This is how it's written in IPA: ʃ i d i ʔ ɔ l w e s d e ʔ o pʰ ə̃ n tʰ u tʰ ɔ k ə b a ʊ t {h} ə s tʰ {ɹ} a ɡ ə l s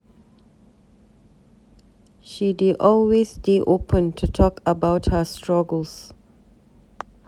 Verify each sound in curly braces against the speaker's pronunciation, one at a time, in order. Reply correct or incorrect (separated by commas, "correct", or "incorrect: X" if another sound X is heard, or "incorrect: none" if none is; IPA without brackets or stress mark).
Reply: correct, correct